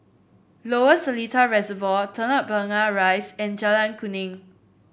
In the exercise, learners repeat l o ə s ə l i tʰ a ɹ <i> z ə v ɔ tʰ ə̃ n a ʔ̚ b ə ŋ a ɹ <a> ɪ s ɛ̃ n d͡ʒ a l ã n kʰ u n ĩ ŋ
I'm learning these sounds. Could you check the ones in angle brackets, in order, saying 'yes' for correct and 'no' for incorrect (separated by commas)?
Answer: no, yes